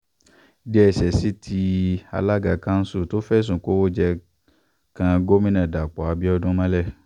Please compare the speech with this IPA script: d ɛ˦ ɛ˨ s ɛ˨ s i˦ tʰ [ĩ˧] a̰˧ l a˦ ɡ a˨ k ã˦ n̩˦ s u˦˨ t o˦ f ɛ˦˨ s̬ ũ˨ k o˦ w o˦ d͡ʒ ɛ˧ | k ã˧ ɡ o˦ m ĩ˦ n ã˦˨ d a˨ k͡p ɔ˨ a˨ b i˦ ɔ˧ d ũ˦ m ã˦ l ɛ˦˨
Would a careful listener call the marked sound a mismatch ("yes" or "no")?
yes